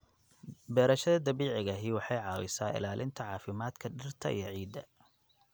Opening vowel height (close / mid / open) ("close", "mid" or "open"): mid